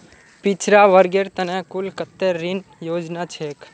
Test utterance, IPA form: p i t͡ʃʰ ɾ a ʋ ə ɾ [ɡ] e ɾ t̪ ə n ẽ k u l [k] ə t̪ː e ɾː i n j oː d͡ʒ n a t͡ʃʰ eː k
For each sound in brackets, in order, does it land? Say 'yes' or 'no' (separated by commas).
yes, yes